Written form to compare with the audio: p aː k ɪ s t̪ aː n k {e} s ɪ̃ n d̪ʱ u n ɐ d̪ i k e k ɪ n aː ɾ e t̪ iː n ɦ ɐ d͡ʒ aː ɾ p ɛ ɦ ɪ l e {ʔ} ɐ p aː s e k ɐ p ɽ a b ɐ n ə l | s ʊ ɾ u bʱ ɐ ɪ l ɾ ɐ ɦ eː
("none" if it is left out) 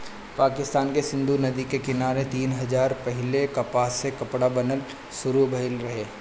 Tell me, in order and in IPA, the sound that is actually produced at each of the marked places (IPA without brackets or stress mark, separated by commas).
e, k